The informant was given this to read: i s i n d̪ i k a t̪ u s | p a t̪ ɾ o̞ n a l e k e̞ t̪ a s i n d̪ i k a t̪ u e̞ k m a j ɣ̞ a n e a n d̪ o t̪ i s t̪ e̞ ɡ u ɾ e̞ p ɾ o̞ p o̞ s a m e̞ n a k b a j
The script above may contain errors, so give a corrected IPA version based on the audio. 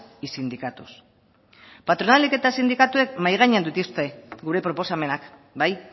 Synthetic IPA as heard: i s i n d̪ i k a t̪ u s | p a t̪ ɾ o̞ n a l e k e̞ t̪ a s i n d̪ i k a t̪ u e̞ k m a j ɣ̞ a ɲ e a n d̪ u t̪ i s t̪ e̞ ɡ u ɾ e̞ p ɾ o̞ p o̞ s a m e̞ n a k b a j